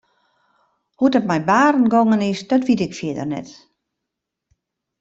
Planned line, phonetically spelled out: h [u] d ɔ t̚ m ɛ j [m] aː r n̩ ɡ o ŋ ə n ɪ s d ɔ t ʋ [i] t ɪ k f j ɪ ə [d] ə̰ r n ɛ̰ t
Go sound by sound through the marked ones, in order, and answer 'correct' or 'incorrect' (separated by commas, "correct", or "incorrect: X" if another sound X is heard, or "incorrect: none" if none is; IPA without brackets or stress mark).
correct, incorrect: b, correct, correct